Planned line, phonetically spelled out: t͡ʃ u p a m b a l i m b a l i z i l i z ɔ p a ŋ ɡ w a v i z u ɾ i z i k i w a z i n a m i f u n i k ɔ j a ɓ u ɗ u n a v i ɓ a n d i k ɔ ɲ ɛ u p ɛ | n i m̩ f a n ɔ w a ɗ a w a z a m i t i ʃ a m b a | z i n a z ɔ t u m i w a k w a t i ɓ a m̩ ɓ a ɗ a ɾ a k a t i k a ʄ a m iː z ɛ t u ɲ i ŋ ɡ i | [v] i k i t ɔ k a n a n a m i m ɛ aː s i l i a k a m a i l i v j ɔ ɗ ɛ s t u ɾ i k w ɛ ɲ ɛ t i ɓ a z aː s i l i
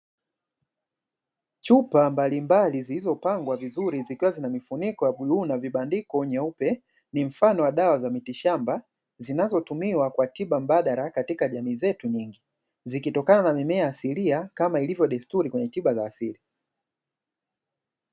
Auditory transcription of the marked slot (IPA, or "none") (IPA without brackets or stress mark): z